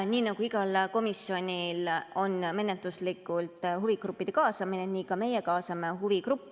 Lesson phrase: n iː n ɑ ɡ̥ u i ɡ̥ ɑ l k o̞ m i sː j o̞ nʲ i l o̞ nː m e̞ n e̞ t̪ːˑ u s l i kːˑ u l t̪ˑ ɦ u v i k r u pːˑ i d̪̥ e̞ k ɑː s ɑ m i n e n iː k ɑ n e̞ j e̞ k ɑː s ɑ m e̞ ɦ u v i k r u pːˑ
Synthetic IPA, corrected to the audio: n iː n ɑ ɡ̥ u i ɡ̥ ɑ l k o̞ m i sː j o̞ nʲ i l o̞ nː m e̞ n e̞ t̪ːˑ u s l i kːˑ u l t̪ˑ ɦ u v i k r u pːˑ i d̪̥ e̞ k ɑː s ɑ m i n e n iː k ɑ m e̞ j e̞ k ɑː s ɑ m e̞ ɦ u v i k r u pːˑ